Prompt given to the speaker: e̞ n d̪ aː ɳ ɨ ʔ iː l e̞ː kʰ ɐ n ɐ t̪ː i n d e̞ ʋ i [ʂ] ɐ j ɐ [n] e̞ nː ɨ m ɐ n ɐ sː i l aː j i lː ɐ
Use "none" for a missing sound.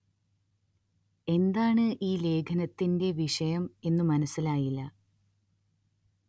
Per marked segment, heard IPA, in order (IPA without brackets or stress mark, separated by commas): ʂ, m